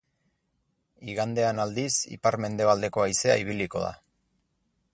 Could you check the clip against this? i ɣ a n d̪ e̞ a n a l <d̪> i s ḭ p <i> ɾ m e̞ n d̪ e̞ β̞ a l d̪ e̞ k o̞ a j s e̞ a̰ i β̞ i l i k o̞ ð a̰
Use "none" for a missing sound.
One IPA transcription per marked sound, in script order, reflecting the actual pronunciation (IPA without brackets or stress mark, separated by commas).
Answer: d̪, a